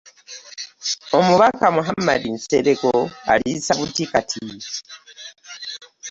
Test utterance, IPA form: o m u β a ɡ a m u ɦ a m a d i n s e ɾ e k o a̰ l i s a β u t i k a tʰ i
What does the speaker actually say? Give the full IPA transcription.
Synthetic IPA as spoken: o m u β a k a m u ɦ a m a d i n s e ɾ e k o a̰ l i s a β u t i k a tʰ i